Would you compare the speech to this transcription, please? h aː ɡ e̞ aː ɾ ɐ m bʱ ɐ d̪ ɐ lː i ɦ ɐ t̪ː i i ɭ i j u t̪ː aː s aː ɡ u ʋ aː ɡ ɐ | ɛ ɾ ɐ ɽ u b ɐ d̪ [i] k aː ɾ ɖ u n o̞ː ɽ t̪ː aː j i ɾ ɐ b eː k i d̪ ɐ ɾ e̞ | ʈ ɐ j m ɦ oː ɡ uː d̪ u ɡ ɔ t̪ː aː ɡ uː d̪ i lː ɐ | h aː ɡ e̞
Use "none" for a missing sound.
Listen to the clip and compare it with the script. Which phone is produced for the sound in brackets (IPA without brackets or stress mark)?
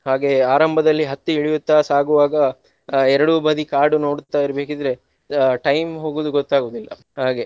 i